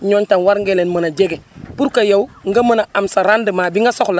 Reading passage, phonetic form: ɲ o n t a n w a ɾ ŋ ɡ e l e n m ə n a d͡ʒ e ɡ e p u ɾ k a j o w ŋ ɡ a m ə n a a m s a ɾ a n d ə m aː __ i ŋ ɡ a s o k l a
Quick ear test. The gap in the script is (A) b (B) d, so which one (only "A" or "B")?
A